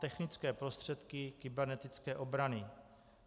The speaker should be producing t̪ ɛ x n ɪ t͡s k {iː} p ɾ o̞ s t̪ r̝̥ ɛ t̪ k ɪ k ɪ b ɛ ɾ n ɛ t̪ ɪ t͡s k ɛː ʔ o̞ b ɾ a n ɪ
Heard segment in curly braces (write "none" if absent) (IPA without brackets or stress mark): ɛː